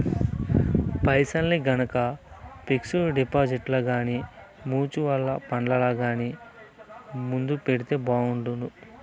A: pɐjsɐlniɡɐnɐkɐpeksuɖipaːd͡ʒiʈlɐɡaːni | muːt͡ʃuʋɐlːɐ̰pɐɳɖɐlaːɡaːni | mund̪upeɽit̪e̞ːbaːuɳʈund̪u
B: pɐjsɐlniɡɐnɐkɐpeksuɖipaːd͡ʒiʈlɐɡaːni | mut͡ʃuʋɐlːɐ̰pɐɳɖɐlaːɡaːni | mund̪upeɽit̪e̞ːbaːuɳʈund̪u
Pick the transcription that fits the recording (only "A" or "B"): A